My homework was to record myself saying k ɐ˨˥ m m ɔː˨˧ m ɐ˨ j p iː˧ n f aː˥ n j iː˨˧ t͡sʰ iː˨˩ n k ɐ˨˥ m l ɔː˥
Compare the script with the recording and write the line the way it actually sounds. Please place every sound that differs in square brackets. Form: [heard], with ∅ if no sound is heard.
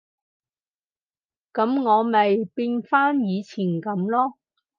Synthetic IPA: k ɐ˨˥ m [ŋ] ɔː˨˧ m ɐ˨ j p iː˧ n f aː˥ n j iː˨˧ t͡sʰ iː˨˩ n k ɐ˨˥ m l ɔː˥